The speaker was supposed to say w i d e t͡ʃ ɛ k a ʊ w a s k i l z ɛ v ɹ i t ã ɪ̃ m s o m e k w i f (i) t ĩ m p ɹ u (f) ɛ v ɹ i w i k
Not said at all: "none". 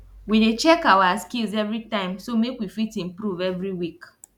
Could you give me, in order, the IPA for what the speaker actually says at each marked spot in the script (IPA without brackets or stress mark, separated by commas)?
i, v